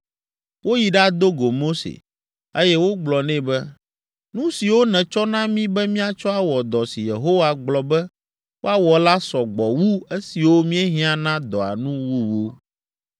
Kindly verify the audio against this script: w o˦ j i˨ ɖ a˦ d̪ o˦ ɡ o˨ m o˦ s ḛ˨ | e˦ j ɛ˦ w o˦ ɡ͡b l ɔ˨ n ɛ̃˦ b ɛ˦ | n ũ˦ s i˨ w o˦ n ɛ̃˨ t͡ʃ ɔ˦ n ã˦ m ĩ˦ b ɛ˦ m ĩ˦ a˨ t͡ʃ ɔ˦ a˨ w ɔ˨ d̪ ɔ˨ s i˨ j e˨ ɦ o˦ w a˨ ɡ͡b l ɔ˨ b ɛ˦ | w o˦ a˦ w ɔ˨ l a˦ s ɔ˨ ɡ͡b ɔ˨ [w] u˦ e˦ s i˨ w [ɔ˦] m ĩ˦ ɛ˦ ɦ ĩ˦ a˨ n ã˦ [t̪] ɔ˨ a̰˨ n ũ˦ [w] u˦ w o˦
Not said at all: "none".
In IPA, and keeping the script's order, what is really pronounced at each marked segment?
w, o˦, d̪, w

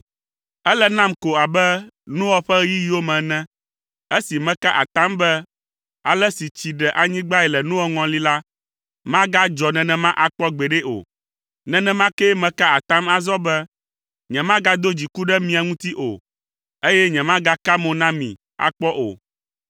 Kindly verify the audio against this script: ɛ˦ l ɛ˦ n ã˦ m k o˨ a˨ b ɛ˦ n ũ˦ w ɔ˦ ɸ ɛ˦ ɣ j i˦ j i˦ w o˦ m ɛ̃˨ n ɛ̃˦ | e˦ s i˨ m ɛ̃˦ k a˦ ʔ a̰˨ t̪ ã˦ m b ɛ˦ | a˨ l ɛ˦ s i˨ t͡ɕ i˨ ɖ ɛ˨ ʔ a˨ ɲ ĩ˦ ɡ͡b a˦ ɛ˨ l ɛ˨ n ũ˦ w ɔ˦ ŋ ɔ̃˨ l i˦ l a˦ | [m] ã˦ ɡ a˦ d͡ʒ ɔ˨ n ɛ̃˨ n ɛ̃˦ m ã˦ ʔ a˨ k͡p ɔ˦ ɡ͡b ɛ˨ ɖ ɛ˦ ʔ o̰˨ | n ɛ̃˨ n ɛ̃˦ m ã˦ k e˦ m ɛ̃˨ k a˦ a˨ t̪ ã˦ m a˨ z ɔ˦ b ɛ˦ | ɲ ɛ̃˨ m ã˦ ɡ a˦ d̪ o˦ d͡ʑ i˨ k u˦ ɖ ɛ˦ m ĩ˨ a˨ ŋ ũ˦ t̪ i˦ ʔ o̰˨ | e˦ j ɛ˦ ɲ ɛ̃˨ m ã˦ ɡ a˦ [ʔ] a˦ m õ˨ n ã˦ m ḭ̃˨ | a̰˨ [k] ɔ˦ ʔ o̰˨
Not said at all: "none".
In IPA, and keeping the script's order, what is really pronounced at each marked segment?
m, k, k͡p

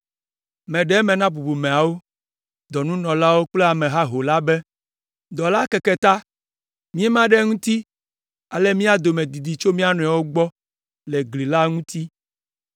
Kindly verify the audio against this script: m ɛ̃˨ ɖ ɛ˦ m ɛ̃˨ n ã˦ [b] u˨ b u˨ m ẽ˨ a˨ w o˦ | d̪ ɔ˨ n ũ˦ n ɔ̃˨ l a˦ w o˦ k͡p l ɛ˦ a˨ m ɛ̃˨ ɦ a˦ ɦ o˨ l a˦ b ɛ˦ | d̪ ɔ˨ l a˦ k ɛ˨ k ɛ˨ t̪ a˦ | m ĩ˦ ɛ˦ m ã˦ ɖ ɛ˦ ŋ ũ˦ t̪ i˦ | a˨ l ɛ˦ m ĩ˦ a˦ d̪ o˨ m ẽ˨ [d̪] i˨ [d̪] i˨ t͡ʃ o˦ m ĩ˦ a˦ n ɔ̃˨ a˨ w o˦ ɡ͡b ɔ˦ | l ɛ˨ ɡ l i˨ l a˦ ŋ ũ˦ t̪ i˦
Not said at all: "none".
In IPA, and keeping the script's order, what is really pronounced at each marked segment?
b, d̪, d̪

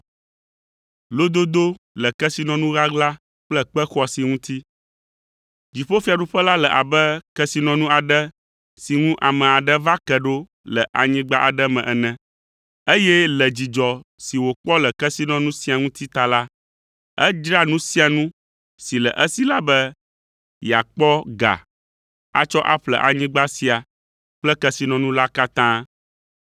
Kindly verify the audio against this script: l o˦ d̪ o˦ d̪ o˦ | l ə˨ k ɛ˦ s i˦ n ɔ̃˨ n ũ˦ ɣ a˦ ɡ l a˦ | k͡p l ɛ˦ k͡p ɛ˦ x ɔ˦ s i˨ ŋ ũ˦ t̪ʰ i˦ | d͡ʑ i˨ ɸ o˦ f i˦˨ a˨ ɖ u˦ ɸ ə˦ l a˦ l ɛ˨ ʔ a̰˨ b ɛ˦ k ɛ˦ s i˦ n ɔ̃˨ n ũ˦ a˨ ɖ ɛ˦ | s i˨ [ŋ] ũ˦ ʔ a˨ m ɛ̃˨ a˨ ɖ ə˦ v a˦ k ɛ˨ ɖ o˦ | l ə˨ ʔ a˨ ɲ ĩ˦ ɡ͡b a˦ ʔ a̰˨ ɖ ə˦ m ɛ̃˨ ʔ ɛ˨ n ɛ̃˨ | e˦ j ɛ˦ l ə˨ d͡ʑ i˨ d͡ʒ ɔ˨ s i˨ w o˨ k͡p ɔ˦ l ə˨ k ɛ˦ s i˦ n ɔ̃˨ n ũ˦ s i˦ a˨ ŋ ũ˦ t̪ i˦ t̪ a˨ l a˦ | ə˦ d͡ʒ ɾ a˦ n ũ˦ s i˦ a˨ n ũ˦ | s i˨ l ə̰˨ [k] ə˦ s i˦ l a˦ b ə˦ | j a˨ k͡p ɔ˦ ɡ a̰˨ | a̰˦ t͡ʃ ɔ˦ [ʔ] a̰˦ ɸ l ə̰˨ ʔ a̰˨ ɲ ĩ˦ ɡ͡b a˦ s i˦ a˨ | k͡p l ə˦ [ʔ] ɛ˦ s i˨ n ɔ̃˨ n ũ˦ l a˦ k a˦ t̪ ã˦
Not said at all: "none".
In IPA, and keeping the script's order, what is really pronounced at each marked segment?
ŋ, ʔ, ʔ, k

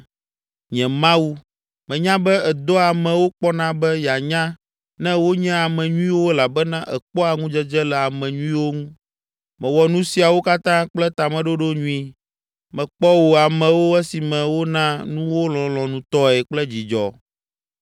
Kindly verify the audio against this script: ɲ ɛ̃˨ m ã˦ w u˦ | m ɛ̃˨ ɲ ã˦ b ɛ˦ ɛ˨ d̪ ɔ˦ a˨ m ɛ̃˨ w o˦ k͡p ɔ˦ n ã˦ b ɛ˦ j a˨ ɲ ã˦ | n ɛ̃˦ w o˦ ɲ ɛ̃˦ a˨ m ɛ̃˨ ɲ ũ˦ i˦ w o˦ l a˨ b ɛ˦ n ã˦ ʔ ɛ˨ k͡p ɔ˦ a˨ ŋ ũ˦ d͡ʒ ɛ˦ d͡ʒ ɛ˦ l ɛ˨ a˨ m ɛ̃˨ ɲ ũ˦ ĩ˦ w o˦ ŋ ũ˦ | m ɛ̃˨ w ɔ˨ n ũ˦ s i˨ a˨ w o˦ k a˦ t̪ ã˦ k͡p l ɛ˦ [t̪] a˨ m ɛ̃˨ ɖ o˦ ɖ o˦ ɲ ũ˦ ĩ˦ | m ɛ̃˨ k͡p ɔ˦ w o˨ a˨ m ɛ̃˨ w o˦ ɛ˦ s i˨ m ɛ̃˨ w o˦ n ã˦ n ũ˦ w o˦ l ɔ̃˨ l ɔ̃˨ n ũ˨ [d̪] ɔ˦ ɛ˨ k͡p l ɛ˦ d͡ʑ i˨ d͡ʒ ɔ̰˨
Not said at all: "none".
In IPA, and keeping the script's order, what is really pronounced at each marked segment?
t̪, t̪

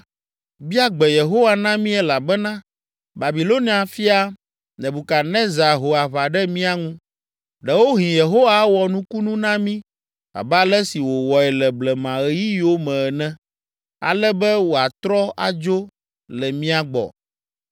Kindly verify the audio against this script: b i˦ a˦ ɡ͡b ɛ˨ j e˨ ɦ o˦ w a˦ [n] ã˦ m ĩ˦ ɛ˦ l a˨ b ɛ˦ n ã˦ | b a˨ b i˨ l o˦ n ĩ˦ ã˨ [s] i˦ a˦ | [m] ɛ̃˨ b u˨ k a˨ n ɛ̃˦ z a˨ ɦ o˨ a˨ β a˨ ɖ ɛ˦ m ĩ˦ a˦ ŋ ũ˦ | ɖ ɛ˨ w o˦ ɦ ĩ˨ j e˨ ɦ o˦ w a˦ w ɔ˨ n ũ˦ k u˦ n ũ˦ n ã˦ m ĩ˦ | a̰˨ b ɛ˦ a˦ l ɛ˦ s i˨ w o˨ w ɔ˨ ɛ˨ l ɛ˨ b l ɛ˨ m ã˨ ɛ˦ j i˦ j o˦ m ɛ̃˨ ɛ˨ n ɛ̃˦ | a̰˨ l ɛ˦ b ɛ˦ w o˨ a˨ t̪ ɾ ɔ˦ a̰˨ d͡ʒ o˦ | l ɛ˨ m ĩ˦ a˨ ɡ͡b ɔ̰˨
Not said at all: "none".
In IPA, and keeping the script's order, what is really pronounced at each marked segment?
n, f, n

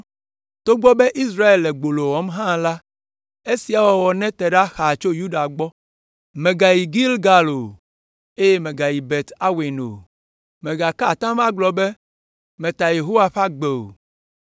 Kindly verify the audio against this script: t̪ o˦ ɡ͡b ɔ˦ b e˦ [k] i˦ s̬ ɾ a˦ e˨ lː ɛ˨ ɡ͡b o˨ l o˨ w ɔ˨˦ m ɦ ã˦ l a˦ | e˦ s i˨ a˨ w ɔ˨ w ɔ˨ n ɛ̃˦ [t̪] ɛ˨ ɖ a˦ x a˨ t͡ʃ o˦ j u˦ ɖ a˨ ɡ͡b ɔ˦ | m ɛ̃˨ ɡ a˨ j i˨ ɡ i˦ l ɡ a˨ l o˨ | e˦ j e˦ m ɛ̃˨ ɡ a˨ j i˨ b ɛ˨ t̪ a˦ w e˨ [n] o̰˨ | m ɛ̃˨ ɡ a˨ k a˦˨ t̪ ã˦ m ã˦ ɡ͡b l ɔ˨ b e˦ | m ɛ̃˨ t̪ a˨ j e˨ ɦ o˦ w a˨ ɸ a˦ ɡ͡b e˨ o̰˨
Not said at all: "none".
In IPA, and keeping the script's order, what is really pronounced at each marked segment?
ʔ, t̪, n

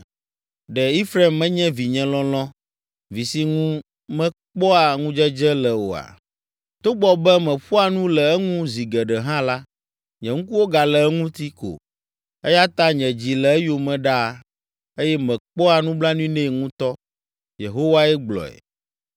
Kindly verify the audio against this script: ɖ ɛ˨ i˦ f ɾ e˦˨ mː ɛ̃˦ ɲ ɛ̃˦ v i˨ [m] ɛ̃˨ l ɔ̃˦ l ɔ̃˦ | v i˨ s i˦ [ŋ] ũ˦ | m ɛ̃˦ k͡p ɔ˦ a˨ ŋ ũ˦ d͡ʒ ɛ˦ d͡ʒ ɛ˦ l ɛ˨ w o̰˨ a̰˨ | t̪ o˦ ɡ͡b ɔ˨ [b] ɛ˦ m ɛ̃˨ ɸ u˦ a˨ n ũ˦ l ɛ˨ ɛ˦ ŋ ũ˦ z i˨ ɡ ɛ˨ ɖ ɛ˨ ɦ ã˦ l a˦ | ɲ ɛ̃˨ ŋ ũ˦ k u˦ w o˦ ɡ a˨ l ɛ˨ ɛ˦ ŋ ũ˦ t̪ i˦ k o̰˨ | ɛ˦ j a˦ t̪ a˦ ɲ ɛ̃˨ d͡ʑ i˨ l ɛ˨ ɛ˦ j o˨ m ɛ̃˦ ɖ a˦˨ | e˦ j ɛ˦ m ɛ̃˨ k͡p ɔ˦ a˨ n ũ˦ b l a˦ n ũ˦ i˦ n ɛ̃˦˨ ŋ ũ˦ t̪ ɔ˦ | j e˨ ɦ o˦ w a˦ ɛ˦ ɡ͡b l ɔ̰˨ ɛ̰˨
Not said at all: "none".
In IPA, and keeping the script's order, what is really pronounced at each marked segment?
ɲ, ŋ, b

